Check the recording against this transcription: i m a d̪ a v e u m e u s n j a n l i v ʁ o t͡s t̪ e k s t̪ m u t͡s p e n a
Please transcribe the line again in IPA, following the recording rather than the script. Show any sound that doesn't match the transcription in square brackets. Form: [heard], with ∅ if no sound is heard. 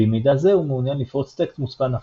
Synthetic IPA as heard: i m [i] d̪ a [z] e u m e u [∅] n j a n l i [f] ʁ o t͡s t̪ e k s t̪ m u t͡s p [a] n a